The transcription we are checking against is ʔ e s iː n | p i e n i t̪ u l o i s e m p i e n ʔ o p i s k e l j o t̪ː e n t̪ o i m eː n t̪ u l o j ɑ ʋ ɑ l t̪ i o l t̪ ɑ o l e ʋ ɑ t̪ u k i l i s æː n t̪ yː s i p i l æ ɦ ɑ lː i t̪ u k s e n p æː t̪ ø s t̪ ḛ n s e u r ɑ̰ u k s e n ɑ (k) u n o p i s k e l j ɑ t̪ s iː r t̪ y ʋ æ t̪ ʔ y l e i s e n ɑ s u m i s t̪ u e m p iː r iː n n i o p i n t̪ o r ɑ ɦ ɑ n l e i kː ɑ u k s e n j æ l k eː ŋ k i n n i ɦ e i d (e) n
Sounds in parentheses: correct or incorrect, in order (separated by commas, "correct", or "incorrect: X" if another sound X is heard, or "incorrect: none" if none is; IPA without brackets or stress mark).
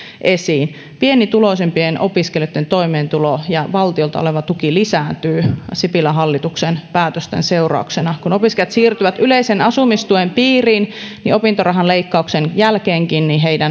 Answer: correct, incorrect: æ